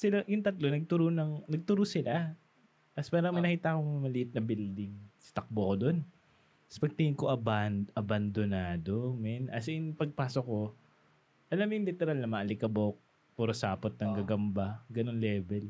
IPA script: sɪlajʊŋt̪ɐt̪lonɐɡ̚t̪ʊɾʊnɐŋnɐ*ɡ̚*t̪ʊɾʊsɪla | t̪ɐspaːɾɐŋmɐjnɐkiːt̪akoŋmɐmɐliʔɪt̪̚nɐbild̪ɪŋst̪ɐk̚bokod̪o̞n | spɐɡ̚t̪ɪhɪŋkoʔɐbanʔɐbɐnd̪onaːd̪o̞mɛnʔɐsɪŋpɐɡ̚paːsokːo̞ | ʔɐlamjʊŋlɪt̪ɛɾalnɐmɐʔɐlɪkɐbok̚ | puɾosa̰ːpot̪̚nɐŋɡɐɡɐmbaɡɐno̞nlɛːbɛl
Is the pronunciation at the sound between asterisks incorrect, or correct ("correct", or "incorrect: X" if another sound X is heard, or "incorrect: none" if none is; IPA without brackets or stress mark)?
correct